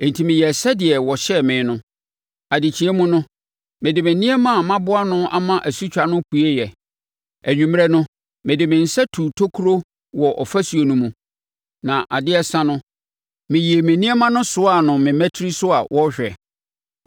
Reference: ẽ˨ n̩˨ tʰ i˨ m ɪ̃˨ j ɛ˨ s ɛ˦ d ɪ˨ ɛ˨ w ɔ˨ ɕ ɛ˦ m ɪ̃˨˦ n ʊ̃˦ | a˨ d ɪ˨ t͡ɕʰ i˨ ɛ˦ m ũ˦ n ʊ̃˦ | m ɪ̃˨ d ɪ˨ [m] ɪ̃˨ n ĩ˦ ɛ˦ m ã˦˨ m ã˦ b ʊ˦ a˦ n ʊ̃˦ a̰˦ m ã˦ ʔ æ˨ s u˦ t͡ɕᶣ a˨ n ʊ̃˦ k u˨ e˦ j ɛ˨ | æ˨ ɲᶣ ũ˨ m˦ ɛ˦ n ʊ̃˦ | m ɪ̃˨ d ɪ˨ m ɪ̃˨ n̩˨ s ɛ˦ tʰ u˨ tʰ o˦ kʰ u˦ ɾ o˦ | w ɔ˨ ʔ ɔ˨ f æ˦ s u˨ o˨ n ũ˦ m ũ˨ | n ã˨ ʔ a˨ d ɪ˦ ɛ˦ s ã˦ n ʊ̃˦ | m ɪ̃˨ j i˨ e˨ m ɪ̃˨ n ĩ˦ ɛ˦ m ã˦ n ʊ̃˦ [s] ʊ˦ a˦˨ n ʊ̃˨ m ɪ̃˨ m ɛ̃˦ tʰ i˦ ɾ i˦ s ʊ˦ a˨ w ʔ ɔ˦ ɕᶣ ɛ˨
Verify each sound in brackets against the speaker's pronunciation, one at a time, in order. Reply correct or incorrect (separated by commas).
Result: correct, correct